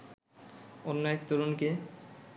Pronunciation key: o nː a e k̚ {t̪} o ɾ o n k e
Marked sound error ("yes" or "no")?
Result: no